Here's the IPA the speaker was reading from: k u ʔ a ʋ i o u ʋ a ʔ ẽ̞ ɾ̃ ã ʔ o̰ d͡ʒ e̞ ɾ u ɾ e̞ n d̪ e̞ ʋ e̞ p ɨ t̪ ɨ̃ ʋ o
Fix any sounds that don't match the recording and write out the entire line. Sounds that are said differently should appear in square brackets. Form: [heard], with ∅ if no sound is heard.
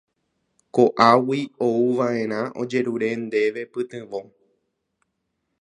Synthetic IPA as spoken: k [o] ʔ a [w] i o u ʋ a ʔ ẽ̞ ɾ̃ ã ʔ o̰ d͡ʒ e̞ ɾ u ɾ e̞ n d̪ e̞ ʋ e̞ p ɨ t̪ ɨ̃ ʋ o